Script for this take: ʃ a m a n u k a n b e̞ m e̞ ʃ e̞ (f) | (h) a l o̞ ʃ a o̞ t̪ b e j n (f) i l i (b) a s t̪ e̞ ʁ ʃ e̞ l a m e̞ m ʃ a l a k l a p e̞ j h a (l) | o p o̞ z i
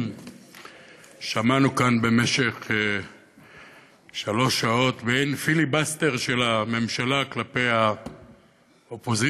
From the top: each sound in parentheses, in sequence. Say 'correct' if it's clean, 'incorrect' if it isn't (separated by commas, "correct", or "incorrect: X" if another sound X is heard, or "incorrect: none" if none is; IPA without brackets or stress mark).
incorrect: χ, incorrect: ʃ, correct, correct, incorrect: none